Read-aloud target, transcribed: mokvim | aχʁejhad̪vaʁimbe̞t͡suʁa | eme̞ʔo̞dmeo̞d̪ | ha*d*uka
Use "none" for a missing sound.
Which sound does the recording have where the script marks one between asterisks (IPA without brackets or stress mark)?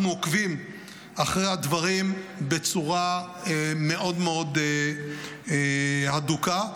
d